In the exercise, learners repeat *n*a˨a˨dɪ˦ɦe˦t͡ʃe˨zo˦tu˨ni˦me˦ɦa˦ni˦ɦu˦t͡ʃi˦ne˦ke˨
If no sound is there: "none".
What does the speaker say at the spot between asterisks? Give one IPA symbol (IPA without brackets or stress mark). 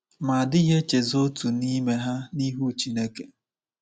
m